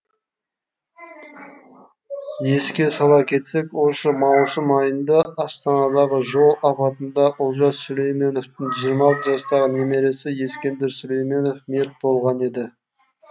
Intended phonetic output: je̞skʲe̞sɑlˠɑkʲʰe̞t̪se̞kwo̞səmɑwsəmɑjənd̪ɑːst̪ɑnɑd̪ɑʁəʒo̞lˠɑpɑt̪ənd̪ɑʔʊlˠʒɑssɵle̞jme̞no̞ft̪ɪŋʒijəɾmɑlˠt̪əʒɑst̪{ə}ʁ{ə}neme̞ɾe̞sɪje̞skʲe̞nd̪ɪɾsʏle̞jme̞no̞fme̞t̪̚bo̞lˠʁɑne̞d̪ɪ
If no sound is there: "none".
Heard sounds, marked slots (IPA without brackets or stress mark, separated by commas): ɑ, ə